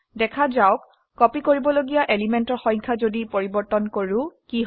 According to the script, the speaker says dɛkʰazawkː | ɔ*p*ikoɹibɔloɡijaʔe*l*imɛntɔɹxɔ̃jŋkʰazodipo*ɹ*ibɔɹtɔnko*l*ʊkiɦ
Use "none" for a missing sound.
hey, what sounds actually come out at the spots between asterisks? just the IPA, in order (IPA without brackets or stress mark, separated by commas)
p, l, ɹ, ɹ